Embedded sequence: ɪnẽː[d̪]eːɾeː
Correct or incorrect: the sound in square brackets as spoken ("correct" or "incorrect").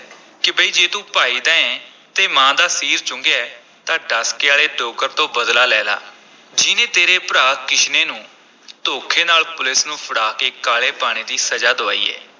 incorrect